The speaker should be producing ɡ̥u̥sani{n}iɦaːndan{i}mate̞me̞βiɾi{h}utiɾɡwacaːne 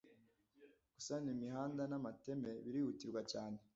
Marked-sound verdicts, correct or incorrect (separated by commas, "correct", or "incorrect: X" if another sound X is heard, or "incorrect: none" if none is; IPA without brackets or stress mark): incorrect: m, incorrect: a, correct